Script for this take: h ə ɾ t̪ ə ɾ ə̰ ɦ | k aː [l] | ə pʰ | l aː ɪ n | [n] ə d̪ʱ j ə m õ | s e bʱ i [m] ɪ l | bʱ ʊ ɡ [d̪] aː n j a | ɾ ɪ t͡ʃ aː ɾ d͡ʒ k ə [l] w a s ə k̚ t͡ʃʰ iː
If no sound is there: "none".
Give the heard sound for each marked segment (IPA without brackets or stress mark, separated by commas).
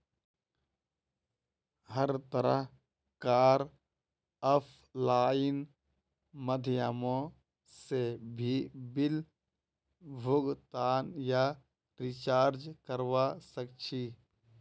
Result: ɾ, m, b, t̪, ɾ